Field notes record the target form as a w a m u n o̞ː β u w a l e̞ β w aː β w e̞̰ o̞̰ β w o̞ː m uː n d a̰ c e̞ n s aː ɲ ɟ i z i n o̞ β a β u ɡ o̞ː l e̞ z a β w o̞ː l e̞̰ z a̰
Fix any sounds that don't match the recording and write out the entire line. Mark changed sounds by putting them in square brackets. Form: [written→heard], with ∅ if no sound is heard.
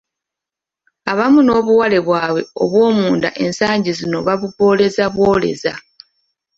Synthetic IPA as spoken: a [w→β] a m u n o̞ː β u w a l e̞ β w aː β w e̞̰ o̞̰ β w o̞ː m uː n d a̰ [c→ʔ] e̞ n s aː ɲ ɟ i z i n o̞ β a β u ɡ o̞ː l e̞ z a β w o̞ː l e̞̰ z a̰